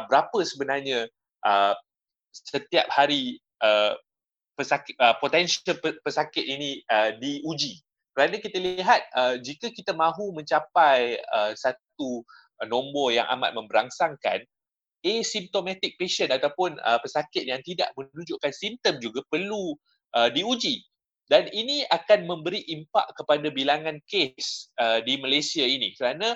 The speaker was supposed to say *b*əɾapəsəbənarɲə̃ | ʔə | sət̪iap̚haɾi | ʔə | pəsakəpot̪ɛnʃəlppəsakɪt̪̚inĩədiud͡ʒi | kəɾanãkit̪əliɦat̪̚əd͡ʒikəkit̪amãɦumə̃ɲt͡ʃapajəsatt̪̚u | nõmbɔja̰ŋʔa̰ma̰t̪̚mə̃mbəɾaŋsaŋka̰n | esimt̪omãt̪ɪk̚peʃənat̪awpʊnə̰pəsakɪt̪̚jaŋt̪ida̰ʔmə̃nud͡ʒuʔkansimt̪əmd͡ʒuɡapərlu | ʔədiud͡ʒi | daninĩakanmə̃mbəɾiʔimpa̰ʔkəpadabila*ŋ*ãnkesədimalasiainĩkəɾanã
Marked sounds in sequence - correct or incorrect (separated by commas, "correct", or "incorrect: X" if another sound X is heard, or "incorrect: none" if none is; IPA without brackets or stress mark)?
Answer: correct, correct